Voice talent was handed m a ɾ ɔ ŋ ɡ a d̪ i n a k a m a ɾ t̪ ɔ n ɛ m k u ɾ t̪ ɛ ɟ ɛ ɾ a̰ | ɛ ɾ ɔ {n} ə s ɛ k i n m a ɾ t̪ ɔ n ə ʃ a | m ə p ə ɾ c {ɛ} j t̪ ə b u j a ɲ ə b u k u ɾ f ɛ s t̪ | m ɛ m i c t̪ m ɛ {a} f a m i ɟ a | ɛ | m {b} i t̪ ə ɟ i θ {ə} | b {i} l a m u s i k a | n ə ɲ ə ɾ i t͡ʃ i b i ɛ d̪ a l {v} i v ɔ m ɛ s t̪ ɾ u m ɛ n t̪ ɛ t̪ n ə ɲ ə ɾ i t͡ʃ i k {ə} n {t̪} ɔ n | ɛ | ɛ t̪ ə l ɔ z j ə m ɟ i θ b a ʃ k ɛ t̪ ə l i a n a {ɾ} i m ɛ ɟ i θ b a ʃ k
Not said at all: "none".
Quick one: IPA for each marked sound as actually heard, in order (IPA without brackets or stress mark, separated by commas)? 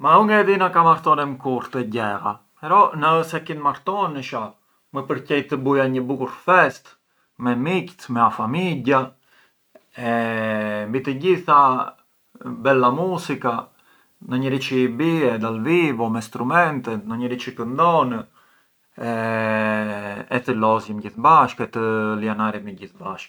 n, ɛ, a, b, a, ɛ, v, ə, d̪, ɾ